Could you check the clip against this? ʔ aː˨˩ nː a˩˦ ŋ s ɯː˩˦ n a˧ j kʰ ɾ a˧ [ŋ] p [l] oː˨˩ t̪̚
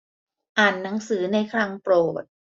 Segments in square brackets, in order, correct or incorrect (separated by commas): correct, incorrect